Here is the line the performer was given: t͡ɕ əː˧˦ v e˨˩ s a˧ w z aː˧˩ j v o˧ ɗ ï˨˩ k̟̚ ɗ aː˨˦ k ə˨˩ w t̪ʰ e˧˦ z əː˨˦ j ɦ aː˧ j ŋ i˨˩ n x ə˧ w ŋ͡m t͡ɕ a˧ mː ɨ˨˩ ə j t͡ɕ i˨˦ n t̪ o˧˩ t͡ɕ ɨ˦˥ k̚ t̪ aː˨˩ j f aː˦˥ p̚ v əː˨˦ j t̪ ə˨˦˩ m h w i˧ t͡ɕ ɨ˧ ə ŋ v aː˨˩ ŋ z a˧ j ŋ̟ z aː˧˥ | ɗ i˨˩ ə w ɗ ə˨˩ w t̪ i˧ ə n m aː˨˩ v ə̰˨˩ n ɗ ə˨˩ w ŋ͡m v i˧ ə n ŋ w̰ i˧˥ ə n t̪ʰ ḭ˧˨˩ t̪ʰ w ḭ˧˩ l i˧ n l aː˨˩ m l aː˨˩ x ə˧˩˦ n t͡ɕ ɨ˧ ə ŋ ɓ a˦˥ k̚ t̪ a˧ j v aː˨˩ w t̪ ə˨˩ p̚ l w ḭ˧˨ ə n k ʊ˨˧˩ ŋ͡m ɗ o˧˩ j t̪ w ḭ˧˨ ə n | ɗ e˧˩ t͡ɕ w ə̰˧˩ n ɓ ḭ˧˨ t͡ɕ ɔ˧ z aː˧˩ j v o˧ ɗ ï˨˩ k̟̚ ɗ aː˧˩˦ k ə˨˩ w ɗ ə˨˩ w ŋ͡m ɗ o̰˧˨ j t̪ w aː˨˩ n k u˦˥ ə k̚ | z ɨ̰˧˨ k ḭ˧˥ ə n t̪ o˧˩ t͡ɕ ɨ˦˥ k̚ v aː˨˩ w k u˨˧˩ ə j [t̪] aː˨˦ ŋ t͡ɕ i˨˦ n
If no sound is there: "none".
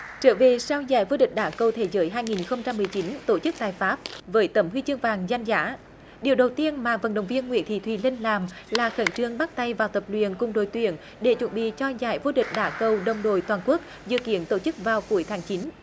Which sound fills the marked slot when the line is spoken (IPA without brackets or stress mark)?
t̪ʰ